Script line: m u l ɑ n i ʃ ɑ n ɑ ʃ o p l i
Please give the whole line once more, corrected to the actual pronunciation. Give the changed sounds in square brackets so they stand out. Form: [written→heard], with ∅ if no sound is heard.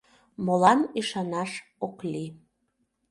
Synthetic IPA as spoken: m [u→o] l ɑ n i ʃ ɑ n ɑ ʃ o [p→k] l i